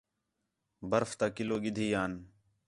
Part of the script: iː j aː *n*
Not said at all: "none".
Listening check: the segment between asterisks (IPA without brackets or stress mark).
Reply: n